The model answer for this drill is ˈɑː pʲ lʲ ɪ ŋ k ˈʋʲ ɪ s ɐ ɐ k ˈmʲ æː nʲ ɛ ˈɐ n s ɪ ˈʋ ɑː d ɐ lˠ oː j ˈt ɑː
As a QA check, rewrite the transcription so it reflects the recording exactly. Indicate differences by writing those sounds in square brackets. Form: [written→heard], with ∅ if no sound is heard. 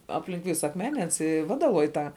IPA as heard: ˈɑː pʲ lʲ ɪ ŋ k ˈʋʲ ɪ s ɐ ɐ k ˈmʲ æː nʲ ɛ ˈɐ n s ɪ ˈʋ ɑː d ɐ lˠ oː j ˈt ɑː